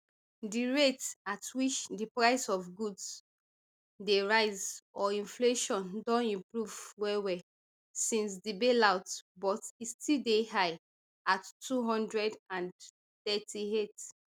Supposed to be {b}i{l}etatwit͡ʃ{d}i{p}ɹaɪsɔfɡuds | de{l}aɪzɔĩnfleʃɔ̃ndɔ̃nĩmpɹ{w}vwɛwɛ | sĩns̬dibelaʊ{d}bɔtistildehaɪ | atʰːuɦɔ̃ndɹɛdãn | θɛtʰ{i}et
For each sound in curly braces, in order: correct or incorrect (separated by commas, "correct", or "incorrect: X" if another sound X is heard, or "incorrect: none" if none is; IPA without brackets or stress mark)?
incorrect: d, incorrect: ɹ, correct, correct, incorrect: ɹ, incorrect: u, incorrect: t, correct